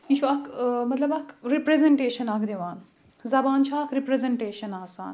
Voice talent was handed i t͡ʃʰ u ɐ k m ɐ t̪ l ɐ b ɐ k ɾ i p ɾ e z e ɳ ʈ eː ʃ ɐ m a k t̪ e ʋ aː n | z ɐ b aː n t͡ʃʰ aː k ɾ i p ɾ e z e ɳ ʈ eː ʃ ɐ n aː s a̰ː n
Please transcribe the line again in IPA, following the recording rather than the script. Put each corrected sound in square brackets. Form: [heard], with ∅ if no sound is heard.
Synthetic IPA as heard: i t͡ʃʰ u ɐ k m ɐ t̪ l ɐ b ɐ k ɾ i p ɾ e z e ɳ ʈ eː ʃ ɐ [n] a k [d̪] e ʋ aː n | z ɐ b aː n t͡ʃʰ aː k ɾ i p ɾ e z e ɳ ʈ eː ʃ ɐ n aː s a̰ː n